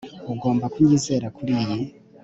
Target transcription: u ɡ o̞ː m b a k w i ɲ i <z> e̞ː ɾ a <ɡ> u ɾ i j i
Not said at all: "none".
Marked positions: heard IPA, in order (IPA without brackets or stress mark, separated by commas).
z, k